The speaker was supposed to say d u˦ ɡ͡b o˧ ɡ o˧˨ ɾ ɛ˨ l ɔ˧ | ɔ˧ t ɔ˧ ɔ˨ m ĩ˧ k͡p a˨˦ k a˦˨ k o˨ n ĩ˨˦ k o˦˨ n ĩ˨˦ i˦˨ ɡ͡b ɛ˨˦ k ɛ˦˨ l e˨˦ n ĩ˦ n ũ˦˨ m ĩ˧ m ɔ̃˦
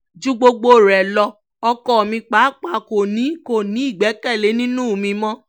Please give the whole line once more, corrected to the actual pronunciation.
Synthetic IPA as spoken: d͡ʒ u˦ ɡ͡b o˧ ɡ͡b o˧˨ ɾ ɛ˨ l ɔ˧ | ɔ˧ k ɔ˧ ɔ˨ m ĩ˧ k͡p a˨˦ k͡p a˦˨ k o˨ n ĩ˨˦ k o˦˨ n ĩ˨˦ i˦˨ ɡ͡b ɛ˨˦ k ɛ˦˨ l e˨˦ n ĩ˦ n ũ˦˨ m ĩ˧ m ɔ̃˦